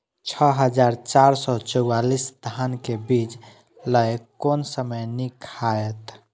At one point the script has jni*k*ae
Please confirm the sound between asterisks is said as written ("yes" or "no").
no